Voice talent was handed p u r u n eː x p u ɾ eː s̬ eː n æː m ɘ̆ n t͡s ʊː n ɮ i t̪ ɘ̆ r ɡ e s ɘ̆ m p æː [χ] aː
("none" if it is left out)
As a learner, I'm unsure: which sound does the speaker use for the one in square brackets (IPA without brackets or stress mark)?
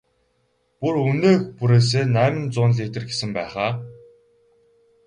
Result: χ